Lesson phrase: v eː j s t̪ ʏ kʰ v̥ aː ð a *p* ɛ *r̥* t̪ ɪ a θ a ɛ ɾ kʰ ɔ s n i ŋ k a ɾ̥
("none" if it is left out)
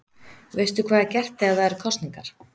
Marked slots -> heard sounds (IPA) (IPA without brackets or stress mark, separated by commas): c, r̥